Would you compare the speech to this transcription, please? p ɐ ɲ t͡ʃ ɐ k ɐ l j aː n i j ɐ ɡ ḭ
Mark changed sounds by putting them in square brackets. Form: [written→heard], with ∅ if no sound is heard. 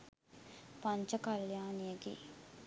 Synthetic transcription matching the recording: p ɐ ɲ t͡ʃ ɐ k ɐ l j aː n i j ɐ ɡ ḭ